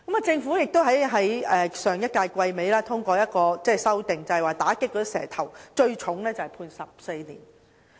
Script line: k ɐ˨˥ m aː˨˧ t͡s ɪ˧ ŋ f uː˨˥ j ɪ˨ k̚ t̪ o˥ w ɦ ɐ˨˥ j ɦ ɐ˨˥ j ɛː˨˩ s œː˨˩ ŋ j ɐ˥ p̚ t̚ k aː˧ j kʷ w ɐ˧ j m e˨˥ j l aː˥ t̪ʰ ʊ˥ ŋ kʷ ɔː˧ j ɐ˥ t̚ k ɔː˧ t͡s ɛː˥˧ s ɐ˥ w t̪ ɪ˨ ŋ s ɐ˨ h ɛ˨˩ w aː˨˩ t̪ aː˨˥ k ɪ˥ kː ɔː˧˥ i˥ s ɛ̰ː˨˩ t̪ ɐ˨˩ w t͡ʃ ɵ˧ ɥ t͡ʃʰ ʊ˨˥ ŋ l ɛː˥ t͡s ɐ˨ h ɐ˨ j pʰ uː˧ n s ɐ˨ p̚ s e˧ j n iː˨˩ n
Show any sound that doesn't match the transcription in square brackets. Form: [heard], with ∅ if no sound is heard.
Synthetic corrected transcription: k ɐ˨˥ m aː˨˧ t͡s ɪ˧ ŋ f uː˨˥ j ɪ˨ k̚ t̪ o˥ w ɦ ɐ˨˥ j ɦ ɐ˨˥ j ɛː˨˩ s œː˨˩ ŋ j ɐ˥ [∅] t̚ k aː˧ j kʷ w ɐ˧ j m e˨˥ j l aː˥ t̪ʰ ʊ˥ ŋ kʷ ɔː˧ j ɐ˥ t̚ k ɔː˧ t͡s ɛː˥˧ s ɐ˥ w t̪ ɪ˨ ŋ [t͡s] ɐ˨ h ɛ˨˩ w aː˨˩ t̪ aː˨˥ k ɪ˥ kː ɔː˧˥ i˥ s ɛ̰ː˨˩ [t̪ʰ] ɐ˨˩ w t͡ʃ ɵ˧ ɥ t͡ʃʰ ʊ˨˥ ŋ l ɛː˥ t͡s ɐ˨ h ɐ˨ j pʰ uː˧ n s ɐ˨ p̚ s e˧ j n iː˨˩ n